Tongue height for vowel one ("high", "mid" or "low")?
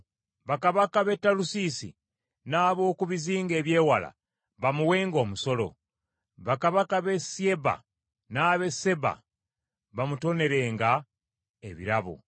low